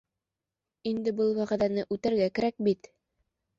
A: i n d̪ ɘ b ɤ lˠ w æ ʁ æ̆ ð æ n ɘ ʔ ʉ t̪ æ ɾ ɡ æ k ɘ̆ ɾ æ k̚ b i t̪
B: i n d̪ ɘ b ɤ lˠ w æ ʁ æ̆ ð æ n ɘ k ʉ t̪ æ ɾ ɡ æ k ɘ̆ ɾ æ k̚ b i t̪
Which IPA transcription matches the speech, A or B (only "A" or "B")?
A